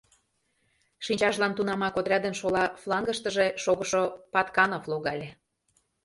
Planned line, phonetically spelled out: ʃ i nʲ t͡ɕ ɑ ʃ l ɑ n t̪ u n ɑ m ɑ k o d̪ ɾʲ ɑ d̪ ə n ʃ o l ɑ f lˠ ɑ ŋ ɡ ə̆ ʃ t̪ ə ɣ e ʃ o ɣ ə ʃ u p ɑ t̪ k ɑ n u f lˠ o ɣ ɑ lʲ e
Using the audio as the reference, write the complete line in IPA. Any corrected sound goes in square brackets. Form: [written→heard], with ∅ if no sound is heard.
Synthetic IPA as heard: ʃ i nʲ t͡ɕ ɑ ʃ l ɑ n t̪ u n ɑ m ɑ k o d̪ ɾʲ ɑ d̪ ə n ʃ o l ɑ f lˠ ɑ ŋ ɡ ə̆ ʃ t̪ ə [ɣ→ʒ] e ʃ o ɣ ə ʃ [u→o] p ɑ t̪ k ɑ n [u→o] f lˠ o ɣ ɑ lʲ e